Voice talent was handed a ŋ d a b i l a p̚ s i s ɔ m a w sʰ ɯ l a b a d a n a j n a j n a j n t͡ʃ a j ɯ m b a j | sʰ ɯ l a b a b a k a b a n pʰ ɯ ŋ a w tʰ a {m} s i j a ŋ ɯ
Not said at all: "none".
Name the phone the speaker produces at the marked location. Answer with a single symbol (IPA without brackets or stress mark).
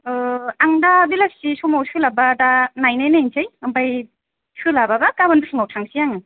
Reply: ŋ